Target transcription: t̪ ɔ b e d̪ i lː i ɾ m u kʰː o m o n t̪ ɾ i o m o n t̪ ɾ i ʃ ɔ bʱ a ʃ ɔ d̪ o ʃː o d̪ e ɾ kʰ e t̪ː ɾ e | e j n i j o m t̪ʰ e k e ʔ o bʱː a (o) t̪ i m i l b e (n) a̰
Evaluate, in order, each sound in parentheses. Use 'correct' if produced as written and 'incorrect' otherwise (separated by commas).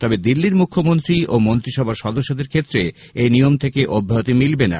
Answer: correct, correct